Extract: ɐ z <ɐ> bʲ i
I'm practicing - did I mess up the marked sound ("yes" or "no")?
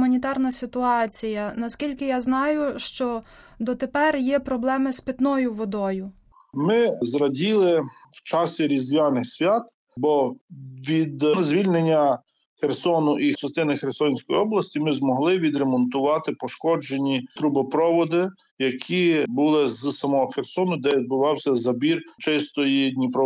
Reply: no